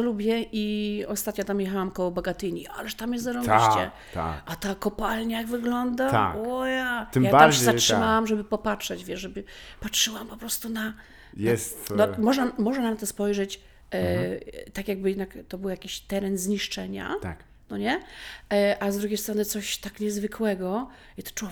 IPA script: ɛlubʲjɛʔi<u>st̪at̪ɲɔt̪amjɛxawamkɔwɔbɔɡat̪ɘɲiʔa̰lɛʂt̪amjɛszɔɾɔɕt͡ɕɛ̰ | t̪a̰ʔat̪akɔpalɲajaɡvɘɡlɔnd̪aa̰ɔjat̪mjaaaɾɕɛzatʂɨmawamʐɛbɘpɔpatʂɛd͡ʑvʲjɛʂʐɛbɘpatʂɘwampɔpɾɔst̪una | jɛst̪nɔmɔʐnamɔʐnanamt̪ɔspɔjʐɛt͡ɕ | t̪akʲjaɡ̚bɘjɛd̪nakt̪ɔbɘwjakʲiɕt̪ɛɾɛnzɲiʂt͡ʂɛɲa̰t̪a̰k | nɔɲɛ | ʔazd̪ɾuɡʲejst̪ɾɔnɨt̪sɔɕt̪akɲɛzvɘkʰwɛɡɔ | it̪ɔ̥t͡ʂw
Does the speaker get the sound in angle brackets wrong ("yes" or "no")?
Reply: yes